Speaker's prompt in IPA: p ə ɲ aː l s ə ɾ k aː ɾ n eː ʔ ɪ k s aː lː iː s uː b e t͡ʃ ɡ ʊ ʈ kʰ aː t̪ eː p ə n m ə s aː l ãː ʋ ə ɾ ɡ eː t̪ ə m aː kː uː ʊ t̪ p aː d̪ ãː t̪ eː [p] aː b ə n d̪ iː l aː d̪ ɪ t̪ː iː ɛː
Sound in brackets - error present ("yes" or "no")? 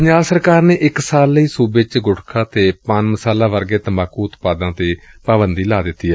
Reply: no